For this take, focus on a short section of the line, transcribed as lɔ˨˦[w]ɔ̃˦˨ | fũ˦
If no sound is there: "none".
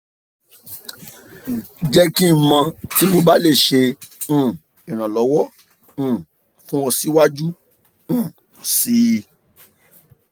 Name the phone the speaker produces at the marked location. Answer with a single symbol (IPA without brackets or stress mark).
w